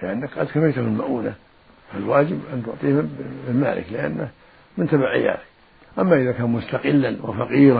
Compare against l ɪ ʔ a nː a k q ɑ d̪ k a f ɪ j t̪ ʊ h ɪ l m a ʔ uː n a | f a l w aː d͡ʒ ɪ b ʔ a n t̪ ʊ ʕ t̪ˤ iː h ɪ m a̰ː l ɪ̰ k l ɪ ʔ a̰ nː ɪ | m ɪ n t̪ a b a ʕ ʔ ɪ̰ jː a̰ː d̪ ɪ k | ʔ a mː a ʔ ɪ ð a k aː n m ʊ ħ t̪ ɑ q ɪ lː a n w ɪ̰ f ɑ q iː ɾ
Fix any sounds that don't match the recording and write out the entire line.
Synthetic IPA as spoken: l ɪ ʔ a nː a k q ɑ d̪ k a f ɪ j t̪ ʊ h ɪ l m a ʔ uː n a | f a l w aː d͡ʒ ɪ b ʔ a n t̪ ʊ ʕ t̪ˤ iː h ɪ m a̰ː l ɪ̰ k l ɪ ʔ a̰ nː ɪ | m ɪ n t̪ a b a ʕ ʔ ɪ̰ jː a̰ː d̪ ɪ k | ʔ a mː a ʔ ɪ ð a k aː n m ʊ s t̪ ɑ q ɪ lː a n w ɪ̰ f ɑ q iː ɾ